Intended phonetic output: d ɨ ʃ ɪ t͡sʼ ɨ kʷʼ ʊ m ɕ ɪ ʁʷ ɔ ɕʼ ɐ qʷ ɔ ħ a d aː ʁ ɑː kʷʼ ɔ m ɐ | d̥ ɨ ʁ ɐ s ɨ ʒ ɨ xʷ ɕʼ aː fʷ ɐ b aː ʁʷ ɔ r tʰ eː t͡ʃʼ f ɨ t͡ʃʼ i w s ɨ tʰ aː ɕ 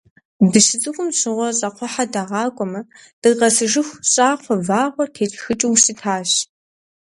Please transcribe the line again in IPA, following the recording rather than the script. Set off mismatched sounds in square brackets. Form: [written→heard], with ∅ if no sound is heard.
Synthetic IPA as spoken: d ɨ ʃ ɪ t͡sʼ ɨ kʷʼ ʊ m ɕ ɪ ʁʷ ɔ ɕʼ ɐ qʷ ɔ ħ a d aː ʁ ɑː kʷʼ ɔ m ɐ | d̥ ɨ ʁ ɐ s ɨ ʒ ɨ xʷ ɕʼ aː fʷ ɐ [b→v] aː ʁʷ ɔ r tʰ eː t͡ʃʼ [f→x] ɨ t͡ʃʼ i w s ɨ tʰ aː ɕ